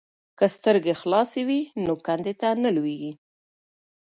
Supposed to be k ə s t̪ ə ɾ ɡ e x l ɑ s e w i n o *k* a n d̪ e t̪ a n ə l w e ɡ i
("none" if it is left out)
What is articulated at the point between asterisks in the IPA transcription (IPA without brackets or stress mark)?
k